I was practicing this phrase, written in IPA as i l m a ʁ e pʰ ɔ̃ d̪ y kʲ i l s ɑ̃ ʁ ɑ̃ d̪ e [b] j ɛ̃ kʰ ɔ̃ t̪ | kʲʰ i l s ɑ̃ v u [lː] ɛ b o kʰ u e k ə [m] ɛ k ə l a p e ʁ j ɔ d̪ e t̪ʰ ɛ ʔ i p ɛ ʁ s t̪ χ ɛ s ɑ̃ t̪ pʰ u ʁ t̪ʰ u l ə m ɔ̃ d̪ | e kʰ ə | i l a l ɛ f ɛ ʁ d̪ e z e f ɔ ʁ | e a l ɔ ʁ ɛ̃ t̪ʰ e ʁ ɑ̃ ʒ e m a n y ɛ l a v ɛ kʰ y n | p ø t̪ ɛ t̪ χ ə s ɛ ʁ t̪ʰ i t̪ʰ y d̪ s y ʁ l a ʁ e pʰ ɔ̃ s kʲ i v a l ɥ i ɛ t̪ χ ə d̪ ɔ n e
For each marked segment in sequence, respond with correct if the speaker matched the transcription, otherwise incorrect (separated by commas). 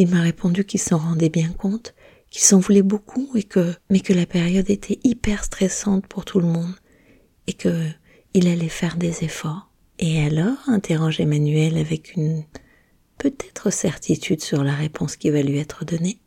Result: correct, incorrect, correct